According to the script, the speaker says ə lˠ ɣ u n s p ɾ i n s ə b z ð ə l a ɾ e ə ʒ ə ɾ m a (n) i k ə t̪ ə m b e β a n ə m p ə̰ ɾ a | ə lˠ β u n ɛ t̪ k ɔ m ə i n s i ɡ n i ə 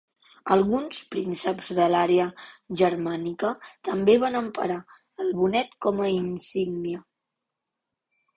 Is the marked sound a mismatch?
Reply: no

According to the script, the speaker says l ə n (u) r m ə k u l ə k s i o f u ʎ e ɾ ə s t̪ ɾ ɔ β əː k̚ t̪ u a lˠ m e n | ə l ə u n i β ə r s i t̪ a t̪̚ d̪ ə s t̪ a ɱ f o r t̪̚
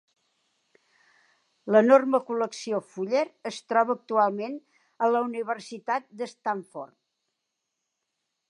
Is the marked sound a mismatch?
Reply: yes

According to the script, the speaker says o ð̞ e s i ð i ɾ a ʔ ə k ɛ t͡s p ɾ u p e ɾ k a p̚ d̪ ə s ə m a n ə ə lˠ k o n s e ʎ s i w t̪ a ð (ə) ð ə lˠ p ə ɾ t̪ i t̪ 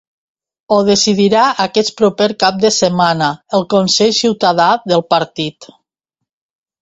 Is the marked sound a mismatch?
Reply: yes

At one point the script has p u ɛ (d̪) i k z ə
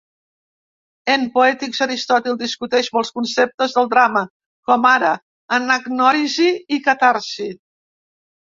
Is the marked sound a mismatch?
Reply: yes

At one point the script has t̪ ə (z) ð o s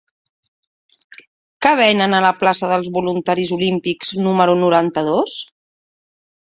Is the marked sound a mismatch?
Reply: yes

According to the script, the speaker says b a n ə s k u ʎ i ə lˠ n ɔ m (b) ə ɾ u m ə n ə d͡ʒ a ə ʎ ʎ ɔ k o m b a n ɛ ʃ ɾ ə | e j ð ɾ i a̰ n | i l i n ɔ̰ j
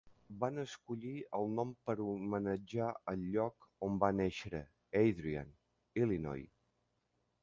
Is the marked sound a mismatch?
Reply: yes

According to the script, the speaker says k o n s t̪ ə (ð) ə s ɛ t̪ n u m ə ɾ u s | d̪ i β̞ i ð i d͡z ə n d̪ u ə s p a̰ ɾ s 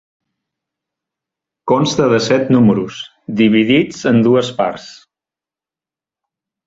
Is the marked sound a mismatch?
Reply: no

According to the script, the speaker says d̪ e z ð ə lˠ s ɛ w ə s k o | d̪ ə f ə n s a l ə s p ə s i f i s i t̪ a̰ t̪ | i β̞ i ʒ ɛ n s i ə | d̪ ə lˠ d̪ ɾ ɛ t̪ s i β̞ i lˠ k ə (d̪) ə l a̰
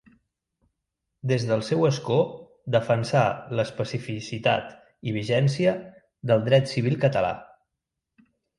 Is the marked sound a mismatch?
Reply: yes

